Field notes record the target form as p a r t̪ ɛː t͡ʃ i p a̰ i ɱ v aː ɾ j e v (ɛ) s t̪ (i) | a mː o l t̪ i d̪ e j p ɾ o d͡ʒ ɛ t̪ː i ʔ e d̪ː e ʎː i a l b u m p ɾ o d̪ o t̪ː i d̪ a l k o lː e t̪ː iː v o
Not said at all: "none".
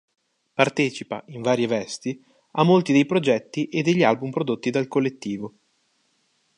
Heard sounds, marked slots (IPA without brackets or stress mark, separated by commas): ɛ, i